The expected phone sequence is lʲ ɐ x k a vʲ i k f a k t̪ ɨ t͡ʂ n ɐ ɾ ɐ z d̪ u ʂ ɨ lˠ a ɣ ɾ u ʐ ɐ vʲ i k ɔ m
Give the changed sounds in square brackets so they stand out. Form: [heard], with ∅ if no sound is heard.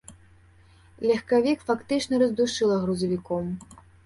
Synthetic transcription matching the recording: lʲ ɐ x k a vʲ i k f a k t̪ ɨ t͡ʂ n ɐ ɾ ɐ z d̪ u ʂ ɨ lˠ [ɐ] ɣ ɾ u [z] ɐ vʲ i k ɔ m